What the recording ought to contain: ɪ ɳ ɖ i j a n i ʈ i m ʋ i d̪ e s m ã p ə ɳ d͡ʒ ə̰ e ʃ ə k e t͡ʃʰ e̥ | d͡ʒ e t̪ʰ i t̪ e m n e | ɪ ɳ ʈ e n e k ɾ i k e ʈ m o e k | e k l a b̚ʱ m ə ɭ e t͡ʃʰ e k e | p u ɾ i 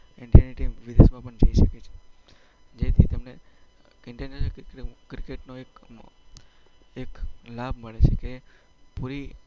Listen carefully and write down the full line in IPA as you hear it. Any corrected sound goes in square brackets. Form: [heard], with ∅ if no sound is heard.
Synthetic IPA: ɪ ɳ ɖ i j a n i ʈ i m ʋ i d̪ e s m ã p ə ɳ d͡ʒ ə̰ [i] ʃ ə k e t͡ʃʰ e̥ | d͡ʒ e t̪ʰ i t̪ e m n e | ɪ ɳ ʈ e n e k ɾ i k e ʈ [n] o e k | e k l a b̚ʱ m ə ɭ e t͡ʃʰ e k e | p u ɾ i

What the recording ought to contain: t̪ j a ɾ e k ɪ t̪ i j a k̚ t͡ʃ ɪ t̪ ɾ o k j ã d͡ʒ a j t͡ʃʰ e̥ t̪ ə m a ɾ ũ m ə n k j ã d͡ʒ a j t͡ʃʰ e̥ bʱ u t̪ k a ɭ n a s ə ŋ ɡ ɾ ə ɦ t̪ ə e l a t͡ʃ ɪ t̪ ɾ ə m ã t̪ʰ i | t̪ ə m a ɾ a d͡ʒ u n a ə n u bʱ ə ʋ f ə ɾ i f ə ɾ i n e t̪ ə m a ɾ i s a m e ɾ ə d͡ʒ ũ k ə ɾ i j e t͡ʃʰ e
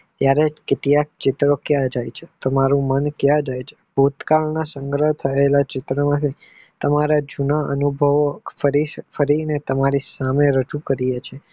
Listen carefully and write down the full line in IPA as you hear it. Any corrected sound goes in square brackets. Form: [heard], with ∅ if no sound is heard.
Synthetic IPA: t̪ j a ɾ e k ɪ t̪ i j a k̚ t͡ʃ ɪ t̪ ɾ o k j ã d͡ʒ a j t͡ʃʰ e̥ t̪ ə m a ɾ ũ m ə n k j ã d͡ʒ a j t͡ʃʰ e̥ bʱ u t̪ k a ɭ n a s ə ŋ ɡ ɾ ə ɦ [t̪ʰ] ə e l a t͡ʃ ɪ t̪ ɾ ə m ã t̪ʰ i | t̪ ə m a ɾ a d͡ʒ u n a ə n u bʱ ə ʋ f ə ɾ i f ə ɾ i n e t̪ ə m a ɾ i s a m e ɾ ə d͡ʒ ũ k ə ɾ i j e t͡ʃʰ e

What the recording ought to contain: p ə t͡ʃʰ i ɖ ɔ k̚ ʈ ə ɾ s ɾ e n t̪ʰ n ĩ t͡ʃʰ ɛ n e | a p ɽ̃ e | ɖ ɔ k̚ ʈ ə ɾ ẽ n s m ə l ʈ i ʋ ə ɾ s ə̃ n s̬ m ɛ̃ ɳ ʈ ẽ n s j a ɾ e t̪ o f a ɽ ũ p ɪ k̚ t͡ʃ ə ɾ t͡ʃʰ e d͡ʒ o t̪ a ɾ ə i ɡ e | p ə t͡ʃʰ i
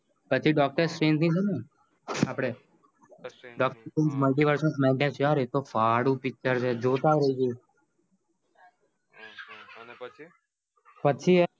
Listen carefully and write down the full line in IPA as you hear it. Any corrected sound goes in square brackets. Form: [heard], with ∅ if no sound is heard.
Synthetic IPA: p ə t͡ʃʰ i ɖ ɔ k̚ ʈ ə ɾ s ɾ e n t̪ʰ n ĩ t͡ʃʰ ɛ n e | a p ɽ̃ e | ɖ ɔ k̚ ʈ ə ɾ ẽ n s m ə l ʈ i ʋ ə ɾ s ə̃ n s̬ m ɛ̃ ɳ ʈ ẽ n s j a ɾ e t̪ o f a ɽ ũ p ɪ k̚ t͡ʃ ə ɾ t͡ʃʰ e d͡ʒ o t̪ a ɾ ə i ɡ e | p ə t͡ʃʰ i

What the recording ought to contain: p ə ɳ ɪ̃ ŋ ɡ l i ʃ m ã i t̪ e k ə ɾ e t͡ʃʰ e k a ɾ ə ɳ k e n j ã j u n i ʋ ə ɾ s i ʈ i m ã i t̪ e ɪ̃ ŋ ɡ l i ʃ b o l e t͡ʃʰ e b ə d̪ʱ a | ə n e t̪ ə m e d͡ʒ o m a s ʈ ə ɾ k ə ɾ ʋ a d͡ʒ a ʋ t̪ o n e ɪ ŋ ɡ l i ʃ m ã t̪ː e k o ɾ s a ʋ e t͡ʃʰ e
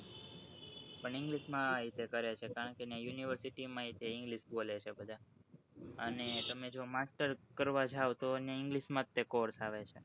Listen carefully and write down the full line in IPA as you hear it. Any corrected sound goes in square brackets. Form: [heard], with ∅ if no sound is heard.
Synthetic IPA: p ə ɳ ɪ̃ ŋ ɡ l i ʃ m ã i t̪ e k ə ɾ e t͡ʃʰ e k a ɾ ə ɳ k e n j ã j u n i ʋ ə ɾ s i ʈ i m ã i t̪ e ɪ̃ ŋ ɡ l i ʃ b o l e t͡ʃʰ e b ə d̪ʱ a | ə n e t̪ ə m e d͡ʒ o m a s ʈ ə ɾ k ə ɾ ʋ a d͡ʒ a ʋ t̪ o n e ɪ ŋ ɡ l i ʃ m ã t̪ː e k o ɾ s a ʋ e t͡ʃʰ e

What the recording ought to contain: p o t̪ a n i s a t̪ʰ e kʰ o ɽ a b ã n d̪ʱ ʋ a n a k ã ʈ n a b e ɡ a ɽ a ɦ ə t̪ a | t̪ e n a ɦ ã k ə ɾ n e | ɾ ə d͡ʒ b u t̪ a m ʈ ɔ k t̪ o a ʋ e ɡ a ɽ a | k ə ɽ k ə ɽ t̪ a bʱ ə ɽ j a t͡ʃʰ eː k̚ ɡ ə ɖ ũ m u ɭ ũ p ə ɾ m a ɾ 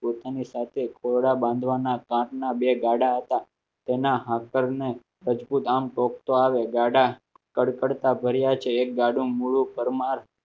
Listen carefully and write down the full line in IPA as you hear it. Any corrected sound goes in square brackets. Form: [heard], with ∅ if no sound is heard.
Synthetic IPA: p o t̪ a n i s a t̪ʰ e kʰ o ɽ a b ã n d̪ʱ ʋ a n a k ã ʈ n a b e ɡ a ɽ a ɦ ə t̪ a | t̪ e n a ɦ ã k ə ɾ n e | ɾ ə d͡ʒ b u t̪ a m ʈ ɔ k t̪ o a ʋ e ɡ a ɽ a | k ə ɽ k ə ɽ t̪ a bʱ ə [ɾ] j a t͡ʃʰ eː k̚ ɡ [a] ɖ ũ m u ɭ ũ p ə ɾ m a ɾ

